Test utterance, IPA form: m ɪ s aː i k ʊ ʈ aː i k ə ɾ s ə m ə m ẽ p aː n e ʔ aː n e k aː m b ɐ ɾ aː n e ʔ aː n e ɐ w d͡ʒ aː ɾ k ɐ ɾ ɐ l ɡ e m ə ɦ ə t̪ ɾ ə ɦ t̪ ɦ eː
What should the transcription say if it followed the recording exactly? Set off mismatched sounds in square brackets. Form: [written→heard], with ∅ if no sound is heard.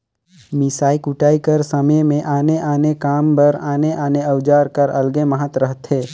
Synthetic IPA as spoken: m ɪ s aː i k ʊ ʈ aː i k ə ɾ s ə m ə m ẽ [p→ʔ] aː n e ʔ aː n e k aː m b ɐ ɾ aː n e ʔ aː n e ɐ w d͡ʒ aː ɾ k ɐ ɾ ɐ l ɡ e m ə ɦ ə t̪ ɾ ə ɦ t̪ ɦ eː